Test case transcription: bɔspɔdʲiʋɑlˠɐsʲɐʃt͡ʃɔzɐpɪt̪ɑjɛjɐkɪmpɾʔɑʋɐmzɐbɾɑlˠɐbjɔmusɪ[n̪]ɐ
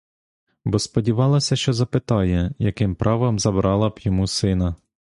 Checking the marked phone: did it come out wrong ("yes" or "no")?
no